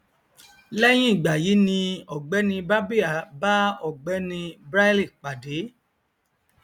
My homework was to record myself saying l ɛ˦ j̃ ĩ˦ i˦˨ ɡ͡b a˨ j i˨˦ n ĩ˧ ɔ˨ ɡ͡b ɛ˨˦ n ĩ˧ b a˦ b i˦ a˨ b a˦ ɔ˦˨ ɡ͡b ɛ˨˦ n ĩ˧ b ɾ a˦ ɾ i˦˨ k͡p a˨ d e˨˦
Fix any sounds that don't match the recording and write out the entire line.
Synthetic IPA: l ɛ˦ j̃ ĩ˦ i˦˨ ɡ͡b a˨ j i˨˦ n ĩ˧ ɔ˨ ɡ͡b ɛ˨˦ n ĩ˧ b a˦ b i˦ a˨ b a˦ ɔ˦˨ ɡ͡b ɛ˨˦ n ĩ˧ b ɾ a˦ l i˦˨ k͡p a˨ d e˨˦